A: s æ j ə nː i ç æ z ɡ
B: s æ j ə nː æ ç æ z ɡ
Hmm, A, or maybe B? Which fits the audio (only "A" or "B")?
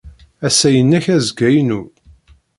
B